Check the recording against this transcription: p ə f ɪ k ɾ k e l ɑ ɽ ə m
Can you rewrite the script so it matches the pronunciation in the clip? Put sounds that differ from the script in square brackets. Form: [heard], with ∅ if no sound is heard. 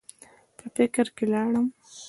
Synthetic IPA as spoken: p ə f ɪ k ɾ k e l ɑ ɽ ə m